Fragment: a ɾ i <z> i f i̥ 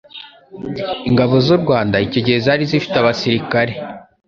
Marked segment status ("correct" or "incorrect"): correct